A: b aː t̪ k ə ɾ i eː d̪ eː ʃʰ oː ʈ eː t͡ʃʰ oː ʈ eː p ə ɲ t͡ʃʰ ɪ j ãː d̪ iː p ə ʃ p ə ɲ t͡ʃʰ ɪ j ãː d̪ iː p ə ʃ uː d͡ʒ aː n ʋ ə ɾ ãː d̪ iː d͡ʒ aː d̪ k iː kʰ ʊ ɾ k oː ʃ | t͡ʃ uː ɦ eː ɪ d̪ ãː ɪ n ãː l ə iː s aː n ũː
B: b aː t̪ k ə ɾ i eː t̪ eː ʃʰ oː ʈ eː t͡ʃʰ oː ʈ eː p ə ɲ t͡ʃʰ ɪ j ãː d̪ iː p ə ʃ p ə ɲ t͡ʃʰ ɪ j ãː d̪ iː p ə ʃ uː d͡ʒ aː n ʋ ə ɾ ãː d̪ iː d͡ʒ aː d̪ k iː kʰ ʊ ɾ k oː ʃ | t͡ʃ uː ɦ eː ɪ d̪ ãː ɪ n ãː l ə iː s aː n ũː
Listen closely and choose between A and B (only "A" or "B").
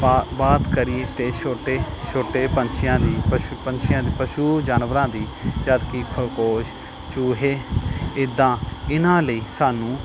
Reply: B